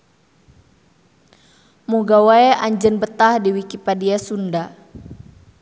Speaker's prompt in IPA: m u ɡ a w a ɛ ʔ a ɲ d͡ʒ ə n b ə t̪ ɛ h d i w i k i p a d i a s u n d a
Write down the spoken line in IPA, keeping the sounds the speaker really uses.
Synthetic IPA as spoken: m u ɡ a w a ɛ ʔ a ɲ d͡ʒ ə n b ə t̪ a h d i w i k i p a d i a s u n d a